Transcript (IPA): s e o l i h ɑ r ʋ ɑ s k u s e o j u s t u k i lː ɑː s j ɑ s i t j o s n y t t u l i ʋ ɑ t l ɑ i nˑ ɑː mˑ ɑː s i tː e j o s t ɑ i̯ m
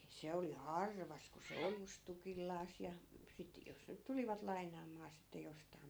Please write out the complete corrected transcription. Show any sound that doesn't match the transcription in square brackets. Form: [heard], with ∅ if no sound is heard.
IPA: s e o l i h ɑ r ʋ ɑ s k u s e o j u s t u k i lː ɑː s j ɑ s i t j o s n y t t u l i ʋ ɑ t l ɑ i nˑ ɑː mˑ ɑː s i tː e j o s t ɑ i̯ m